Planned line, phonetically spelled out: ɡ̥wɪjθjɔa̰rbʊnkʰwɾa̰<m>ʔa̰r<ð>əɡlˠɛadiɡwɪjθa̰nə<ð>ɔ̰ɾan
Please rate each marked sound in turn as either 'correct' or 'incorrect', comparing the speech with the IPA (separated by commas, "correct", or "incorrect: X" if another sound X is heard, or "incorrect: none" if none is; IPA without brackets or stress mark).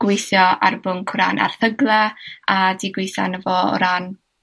incorrect: n, incorrect: θ, incorrect: v